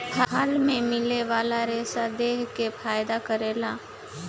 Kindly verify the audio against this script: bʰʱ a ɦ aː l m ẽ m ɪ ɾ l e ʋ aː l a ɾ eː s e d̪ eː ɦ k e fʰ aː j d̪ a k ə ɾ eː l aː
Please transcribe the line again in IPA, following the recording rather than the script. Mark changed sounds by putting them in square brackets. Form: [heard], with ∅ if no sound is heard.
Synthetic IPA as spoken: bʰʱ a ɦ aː l m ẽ m ɪ [∅] l e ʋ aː l a ɾ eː s [a] d̪ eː ɦ k e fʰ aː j d̪ a k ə ɾ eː l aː